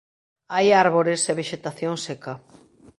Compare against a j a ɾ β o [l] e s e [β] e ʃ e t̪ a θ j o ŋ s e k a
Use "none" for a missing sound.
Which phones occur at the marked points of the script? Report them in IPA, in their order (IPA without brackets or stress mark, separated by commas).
ɾ, β